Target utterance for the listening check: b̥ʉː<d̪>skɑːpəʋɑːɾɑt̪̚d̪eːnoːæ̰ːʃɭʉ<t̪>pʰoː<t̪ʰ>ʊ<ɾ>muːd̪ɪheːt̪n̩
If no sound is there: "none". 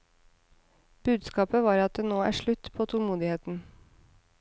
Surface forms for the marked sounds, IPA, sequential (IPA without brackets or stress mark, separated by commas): d̪, t̪, t̪ʰ, l